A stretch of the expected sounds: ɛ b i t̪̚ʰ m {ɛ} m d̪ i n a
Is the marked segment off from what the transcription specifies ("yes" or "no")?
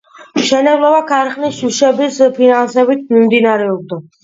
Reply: yes